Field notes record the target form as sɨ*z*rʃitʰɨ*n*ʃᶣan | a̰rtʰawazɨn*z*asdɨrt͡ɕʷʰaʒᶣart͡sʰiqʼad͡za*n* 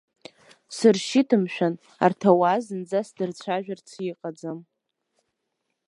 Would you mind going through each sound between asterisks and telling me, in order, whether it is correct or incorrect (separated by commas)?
incorrect, incorrect, incorrect, incorrect